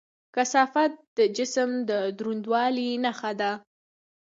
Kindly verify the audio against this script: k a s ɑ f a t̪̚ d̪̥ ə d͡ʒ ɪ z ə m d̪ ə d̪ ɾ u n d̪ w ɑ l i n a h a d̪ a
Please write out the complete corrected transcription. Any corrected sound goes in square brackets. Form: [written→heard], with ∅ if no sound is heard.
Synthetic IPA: k a s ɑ f a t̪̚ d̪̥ ə d͡ʒ ɪ [z→s] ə m d̪ ə d̪ ɾ u n d̪ w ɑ l i n a [h→x] a d̪ a